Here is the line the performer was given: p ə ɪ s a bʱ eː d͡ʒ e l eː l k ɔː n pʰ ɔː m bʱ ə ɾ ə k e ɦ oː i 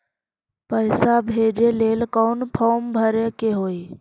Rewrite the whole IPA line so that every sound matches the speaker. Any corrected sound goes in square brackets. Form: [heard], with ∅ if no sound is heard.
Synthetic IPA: p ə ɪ s a bʱ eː d͡ʒ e l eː l k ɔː n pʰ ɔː m bʱ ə ɾ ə k e ɦ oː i